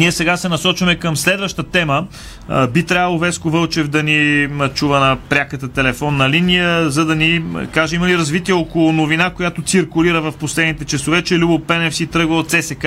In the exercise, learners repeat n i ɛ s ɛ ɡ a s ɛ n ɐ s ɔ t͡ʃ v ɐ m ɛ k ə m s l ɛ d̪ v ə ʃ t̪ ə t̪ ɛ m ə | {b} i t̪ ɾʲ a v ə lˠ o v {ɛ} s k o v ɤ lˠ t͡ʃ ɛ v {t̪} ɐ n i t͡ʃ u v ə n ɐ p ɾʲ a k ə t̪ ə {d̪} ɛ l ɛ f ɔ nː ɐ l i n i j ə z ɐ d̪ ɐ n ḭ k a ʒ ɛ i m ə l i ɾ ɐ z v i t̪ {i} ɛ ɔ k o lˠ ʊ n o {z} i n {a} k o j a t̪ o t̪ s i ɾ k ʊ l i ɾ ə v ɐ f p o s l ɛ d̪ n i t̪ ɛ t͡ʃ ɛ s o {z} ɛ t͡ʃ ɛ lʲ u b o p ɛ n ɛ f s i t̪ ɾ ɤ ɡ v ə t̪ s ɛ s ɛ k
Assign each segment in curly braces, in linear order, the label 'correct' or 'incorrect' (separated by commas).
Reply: correct, correct, incorrect, incorrect, correct, incorrect, correct, incorrect